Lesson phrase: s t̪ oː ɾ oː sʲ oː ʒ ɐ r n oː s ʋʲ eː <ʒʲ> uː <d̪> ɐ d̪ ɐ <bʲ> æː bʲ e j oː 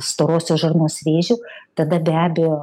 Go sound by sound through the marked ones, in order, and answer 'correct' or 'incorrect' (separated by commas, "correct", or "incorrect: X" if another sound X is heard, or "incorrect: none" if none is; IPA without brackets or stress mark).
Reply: correct, incorrect: t̪, correct